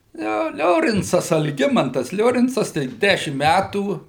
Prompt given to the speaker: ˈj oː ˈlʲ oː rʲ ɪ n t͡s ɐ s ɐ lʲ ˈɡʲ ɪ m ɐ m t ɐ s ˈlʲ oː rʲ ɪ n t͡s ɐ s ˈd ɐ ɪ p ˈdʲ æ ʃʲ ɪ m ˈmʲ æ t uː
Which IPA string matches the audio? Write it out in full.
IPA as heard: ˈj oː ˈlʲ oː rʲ ɪ n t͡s ɐ s ɐ lʲ ˈɡʲ ɪ m ɐ n t ɐ s ˈlʲ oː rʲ ɪ n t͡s ɐ s ˈt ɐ ɪ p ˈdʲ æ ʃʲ ɪ m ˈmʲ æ t uː